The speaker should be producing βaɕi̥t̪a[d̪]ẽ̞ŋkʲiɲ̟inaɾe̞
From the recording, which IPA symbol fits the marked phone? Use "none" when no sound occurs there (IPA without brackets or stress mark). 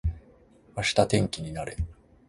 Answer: t̪